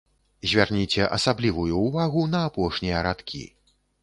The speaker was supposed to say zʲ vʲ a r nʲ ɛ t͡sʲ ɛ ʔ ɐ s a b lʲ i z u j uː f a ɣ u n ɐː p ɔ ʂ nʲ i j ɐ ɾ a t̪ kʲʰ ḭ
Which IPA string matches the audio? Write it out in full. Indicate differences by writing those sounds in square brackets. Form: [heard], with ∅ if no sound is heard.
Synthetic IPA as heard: zʲ vʲ a r nʲ [i] t͡sʲ ɛ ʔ ɐ s a b lʲ i [v] u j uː [v] a ɣ u n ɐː p ɔ ʂ nʲ i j ɐ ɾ a t̪ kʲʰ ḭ

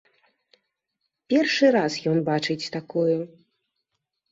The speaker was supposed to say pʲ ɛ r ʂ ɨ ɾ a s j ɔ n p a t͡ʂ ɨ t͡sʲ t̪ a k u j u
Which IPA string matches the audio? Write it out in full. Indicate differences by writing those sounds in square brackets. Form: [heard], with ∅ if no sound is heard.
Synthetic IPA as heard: pʲ ɛ r ʂ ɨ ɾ a s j ɔ n [b] a t͡ʂ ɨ t͡sʲ t̪ a k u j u

